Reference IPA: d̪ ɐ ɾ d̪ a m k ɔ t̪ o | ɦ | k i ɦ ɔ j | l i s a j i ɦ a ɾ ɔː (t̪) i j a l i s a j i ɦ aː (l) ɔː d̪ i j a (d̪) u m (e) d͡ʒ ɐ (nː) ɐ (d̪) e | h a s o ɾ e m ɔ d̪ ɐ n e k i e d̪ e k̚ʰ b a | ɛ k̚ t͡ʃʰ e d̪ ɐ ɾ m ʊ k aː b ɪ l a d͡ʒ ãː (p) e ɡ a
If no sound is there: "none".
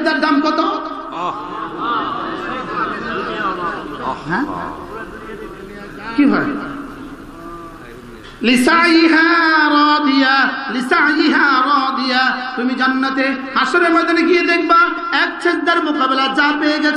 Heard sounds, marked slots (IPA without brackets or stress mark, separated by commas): d̪, ɾ, t̪, i, nː, t̪, p